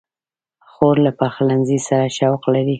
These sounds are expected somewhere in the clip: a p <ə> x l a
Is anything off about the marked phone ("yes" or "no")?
yes